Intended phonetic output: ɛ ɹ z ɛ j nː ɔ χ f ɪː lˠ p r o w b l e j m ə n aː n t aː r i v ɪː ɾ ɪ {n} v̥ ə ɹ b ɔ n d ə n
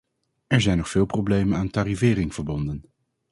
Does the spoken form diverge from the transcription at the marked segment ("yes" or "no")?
yes